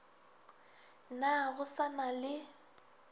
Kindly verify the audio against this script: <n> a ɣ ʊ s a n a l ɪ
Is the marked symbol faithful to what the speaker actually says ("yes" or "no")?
yes